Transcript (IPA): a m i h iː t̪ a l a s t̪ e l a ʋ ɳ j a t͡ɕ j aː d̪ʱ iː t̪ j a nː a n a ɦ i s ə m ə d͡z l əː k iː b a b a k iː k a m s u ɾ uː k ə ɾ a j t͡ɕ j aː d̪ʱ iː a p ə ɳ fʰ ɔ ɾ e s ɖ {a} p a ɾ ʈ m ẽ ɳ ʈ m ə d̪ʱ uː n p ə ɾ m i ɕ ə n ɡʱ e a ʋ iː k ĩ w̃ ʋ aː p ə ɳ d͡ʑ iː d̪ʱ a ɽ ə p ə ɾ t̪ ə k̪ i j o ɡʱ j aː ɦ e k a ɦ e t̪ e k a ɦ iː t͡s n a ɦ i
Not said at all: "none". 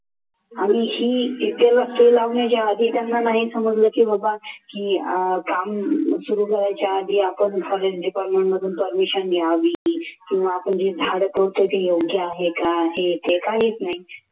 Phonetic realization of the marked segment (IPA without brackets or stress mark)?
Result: i